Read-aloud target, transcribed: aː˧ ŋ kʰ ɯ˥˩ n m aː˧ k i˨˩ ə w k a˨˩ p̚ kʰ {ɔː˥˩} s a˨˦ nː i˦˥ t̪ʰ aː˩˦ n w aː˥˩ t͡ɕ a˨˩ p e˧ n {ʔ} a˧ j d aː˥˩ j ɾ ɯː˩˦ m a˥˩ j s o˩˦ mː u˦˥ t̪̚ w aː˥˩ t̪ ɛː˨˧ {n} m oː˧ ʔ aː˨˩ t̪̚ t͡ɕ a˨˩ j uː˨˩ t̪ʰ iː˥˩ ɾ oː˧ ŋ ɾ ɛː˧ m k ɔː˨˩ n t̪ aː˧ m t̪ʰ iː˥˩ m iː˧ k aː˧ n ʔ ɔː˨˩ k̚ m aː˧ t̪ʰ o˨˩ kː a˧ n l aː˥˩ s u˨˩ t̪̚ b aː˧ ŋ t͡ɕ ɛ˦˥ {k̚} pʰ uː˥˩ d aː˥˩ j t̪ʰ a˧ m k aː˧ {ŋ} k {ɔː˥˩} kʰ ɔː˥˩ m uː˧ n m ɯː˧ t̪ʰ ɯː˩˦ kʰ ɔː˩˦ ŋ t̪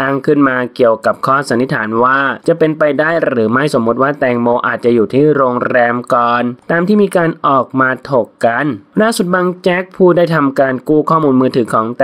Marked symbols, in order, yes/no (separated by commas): yes, no, no, yes, no, no